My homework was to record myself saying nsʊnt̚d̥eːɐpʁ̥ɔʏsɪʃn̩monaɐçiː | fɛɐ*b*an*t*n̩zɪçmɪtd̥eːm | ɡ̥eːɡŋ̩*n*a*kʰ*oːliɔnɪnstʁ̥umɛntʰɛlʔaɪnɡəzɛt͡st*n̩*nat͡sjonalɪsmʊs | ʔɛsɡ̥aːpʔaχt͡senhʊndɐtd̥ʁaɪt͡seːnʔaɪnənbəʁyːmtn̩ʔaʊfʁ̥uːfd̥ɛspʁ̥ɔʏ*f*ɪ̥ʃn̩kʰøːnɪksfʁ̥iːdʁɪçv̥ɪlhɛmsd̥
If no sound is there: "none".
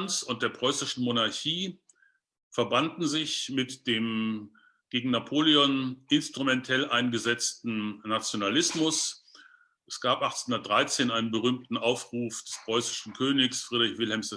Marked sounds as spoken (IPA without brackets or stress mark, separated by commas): b, d, n, pʰ, n̩, s